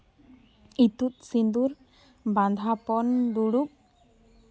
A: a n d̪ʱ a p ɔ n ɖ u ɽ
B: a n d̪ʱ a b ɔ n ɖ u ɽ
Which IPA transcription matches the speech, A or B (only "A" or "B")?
A